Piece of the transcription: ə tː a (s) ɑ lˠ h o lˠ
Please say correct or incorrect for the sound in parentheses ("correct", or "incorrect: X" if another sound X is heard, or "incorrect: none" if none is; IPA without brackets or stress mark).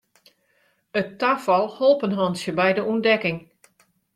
incorrect: f